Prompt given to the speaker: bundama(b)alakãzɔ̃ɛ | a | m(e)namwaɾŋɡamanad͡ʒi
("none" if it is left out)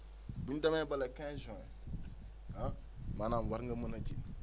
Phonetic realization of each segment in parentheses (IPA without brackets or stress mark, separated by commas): b, a